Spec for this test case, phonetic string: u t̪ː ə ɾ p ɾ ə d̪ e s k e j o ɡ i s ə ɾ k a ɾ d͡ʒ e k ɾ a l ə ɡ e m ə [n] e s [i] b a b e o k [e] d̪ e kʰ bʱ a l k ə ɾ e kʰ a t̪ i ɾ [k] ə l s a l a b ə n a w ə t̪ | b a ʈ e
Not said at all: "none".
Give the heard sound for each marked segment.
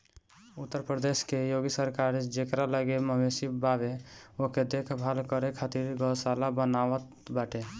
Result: m, i, e, ɡ

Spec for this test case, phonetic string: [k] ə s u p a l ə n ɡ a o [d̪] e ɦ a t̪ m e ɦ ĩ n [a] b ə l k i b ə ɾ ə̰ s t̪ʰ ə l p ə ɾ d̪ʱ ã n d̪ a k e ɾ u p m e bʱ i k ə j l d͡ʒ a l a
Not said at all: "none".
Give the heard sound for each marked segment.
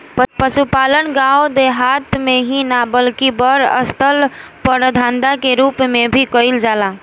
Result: p, d̪, a

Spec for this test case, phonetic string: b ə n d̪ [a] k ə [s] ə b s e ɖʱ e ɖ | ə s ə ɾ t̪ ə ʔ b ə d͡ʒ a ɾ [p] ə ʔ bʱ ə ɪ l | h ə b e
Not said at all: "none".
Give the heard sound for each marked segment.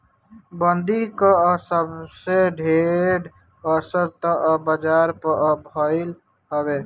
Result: i, s, p

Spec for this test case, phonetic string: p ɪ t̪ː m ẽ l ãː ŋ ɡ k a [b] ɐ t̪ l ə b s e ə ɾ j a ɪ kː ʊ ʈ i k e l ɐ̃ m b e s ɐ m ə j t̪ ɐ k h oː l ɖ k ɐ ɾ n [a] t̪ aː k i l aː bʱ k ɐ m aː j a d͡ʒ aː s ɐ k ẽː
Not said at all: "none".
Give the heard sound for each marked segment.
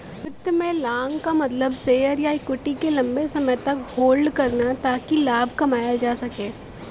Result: m, a

